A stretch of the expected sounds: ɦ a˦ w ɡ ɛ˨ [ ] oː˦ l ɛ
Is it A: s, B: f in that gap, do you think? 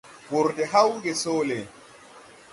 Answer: A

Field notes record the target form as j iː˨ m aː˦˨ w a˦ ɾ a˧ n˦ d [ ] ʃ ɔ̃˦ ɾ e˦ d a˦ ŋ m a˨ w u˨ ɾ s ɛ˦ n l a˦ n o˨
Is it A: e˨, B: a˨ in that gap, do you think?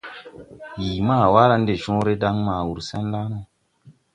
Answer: A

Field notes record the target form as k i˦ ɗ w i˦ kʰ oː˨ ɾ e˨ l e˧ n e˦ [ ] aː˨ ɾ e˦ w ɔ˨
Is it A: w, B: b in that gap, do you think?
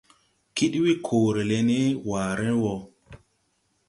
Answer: A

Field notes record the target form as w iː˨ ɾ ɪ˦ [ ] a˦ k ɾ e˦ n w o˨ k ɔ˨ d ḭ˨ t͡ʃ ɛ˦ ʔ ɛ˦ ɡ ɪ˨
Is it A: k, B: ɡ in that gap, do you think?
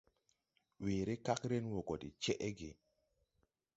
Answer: A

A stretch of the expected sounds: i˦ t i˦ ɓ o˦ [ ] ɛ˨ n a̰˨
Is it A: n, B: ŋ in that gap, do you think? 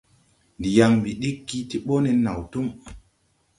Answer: A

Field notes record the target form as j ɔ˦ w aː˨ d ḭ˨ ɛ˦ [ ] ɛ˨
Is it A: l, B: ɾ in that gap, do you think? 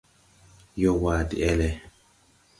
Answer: A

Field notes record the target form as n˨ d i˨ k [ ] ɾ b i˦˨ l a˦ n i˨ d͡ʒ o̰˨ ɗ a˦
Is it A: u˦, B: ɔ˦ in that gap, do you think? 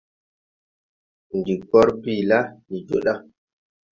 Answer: B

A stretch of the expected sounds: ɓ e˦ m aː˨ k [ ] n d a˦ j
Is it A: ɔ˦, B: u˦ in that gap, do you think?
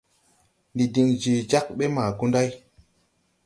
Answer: B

